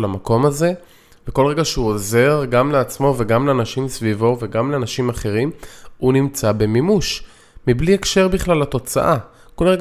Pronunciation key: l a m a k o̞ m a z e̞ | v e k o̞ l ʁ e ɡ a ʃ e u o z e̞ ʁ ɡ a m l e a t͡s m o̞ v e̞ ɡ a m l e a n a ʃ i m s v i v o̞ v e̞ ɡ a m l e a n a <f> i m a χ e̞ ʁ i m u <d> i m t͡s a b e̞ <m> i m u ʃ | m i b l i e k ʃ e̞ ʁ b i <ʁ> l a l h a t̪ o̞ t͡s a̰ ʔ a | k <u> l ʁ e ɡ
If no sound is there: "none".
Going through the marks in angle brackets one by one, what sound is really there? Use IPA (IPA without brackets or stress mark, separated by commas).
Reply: ʃ, n, m, χ, o